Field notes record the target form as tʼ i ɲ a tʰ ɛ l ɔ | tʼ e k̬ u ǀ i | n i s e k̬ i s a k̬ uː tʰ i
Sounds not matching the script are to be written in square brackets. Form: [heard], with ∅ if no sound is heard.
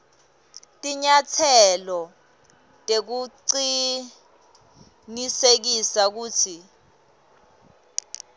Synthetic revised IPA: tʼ i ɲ a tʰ ɛ l ɔ | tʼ e k̬ u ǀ i | n i s e k̬ i s a k̬ uː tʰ i